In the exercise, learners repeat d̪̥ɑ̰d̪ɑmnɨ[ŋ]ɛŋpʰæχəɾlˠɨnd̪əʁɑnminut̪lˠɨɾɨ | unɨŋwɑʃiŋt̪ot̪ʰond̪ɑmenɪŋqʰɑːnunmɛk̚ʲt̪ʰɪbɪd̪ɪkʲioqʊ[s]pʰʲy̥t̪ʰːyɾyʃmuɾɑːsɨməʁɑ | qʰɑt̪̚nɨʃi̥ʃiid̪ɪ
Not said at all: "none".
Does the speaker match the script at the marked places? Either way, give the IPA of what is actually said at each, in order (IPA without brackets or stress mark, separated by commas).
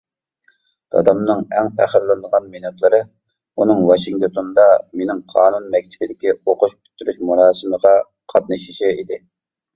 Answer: ŋ, ʃ